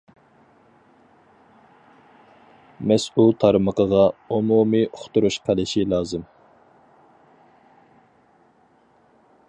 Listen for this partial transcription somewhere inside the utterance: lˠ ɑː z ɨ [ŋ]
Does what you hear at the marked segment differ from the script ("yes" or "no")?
yes